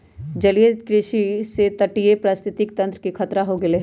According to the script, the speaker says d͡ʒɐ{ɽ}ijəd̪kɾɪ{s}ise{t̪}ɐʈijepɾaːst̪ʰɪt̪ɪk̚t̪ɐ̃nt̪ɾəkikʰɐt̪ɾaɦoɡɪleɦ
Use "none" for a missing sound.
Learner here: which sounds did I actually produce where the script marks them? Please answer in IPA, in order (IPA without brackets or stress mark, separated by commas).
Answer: l, ʃ, t̪